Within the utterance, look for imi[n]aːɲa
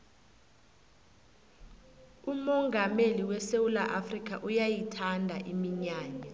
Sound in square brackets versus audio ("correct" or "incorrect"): incorrect